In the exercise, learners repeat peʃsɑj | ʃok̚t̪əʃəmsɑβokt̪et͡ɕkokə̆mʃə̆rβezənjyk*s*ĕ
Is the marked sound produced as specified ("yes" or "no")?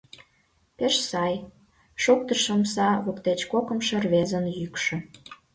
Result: no